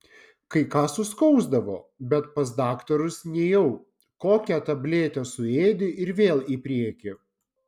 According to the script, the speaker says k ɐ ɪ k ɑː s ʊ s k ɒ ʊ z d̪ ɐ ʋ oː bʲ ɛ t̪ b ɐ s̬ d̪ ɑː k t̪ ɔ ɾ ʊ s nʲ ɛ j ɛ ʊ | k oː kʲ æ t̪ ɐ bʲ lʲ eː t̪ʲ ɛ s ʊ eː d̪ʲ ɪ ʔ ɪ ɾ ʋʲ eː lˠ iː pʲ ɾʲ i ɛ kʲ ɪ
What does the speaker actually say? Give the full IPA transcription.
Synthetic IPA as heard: k ɐ ɪ k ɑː s ʊ s k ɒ ʊ z d̪ ɐ ʋ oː bʲ ɛ t̪ p ɐ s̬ d̪ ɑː k t̪ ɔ ɾ ʊ s nʲ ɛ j ɛ ʊ | k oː kʲ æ t̪ ɐ bʲ lʲ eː t̪ʲ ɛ s ʊ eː d̪ʲ ɪ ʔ ɪ ɾ ʋʲ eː lˠ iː pʲ ɾʲ i ɛ kʲ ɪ